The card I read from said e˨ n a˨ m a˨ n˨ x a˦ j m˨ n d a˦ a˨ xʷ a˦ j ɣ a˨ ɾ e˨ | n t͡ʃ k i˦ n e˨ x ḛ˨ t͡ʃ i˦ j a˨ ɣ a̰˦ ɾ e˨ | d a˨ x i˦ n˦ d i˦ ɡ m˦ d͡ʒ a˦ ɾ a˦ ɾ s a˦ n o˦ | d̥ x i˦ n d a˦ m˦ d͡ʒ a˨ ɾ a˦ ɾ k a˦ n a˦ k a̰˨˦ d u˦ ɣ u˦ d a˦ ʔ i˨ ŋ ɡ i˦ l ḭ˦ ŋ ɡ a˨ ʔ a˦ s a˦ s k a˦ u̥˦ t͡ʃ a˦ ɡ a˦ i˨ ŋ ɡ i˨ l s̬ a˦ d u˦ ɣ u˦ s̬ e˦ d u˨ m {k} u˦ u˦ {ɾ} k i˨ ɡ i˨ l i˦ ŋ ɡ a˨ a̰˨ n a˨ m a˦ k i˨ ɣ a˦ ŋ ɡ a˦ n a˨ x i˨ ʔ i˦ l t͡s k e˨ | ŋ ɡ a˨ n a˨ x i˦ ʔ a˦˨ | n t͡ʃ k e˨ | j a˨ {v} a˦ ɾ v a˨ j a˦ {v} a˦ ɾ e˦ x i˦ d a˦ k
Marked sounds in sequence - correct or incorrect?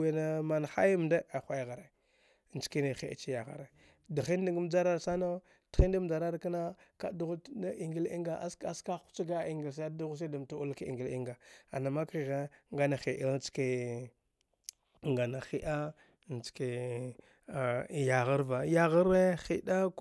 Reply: incorrect: t, incorrect: l, incorrect: ɣ, incorrect: ɣ

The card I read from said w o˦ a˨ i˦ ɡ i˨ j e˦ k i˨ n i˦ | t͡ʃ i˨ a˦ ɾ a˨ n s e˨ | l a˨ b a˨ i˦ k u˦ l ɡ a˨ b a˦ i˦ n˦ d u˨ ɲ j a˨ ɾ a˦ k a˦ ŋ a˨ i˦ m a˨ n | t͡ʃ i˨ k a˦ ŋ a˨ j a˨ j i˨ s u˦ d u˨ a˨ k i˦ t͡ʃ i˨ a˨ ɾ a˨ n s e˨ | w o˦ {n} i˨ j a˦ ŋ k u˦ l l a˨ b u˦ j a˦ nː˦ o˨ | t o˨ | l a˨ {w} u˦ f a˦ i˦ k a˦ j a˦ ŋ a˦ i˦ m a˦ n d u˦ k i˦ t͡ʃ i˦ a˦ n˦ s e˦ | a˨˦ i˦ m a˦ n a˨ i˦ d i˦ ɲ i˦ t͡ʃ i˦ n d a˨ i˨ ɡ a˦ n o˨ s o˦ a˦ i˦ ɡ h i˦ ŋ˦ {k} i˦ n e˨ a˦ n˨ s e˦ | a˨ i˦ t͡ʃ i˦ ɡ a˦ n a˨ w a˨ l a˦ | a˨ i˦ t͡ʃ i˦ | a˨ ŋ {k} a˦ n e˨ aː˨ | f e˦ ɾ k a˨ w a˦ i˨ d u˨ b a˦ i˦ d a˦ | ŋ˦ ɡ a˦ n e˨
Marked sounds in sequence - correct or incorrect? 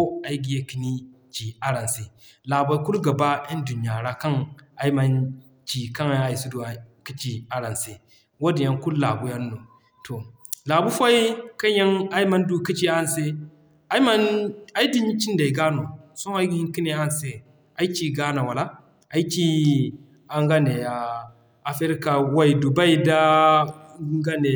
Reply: incorrect: d, incorrect: b, correct, incorrect: ɡ

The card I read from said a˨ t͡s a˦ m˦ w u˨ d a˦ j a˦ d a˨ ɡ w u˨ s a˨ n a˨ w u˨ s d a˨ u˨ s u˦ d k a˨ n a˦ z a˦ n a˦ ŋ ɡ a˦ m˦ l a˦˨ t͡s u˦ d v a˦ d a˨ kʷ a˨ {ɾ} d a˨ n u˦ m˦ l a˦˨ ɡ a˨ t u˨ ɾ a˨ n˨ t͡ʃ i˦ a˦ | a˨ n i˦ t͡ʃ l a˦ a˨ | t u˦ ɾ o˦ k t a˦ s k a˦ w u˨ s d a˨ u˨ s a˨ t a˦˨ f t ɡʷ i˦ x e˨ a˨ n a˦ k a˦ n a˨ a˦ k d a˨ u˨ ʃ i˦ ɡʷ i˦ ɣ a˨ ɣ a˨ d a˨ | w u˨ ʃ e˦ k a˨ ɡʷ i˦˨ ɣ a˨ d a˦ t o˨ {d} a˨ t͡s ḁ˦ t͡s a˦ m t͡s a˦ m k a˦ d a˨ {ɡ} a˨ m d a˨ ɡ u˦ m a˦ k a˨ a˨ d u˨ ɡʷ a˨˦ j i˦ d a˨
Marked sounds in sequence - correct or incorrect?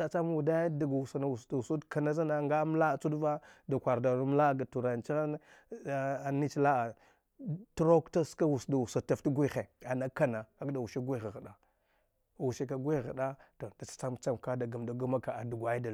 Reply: correct, correct, correct

